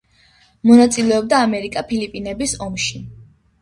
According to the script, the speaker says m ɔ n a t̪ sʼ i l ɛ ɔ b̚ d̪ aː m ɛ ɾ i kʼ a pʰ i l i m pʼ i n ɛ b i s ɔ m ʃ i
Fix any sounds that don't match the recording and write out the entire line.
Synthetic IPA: m ɔ n a t̪ sʼ i l ɛ ɔ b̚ d̪ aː m ɛ ɾ i kʼ a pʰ i l i pʼ i n ɛ b i s ɔ m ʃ i